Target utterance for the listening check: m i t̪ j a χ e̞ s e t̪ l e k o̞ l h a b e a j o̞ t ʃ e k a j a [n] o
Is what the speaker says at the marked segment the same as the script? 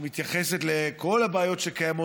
no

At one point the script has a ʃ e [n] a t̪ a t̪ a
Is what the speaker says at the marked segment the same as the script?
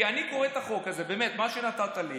yes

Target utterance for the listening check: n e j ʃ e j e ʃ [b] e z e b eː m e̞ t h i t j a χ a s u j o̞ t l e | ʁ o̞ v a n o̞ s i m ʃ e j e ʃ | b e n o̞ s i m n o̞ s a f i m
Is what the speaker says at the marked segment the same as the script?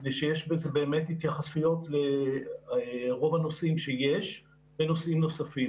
yes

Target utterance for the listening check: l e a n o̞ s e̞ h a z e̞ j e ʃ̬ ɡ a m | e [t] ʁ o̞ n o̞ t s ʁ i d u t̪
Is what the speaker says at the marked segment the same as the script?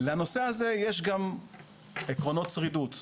no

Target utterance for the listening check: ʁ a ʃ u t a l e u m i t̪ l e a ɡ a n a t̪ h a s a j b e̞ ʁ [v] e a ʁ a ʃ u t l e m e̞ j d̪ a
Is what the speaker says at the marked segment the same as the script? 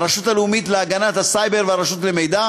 yes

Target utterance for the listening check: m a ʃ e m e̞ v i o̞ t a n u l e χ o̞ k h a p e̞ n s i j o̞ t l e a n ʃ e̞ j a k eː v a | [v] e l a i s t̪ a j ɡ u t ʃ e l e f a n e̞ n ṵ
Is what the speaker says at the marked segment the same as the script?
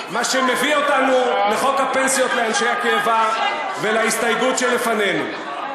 yes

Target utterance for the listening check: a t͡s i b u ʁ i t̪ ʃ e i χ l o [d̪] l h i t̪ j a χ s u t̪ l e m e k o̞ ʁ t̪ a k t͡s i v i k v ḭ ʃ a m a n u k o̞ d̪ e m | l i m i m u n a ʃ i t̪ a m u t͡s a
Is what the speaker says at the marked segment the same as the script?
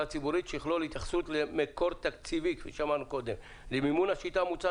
no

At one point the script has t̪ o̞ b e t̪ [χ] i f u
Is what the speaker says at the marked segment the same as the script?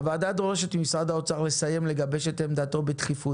yes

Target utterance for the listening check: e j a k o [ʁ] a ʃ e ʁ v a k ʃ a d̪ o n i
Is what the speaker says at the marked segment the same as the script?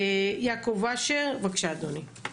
no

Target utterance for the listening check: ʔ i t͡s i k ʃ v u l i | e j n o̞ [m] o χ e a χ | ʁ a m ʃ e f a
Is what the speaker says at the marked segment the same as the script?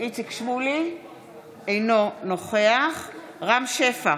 no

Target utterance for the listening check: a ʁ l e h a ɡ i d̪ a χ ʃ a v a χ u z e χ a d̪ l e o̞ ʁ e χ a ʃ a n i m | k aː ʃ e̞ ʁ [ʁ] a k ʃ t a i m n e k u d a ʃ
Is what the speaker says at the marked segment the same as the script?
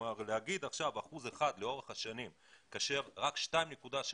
yes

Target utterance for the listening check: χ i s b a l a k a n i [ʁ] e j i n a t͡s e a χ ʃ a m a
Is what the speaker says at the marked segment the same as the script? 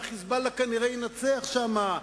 yes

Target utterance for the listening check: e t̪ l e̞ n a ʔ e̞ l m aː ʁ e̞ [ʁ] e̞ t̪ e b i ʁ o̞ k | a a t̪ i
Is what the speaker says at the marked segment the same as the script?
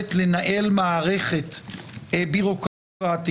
no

